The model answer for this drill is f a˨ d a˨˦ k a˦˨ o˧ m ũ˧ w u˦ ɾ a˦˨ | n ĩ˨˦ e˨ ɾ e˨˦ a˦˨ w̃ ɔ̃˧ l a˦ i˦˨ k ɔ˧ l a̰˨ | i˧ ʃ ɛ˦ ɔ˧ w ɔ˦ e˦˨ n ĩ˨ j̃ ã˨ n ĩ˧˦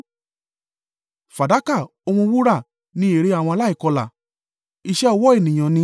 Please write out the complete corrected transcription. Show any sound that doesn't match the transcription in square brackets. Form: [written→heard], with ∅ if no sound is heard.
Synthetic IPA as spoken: f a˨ d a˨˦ k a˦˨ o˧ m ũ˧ w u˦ ɾ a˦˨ | n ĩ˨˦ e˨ ɾ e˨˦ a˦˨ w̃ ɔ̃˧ l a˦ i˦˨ k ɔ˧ l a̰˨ | i˧ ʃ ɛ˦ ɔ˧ w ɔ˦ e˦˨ n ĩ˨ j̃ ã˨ n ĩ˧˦